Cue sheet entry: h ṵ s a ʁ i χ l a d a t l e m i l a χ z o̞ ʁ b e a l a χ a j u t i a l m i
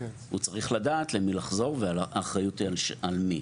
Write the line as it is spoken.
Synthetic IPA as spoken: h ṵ t͡s a ʁ i χ l a d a t l e m i l a χ z o̞ ʁ v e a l a χ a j u t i a l m i